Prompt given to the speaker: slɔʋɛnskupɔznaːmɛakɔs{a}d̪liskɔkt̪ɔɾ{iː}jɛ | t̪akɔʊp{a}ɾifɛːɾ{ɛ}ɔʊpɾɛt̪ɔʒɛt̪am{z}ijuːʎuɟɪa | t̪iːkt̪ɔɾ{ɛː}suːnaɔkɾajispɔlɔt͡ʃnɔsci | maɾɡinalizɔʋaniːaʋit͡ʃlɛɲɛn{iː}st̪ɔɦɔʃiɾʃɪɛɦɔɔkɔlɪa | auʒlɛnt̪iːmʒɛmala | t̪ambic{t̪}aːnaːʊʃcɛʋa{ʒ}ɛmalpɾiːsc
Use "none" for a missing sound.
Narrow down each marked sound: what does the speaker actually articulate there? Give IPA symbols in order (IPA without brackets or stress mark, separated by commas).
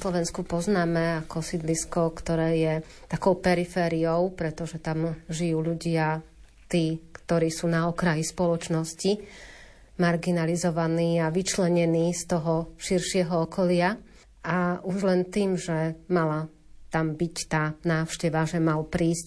i, ɛː, ɛ, i, ʒ, iː, iː, t̪, ʒ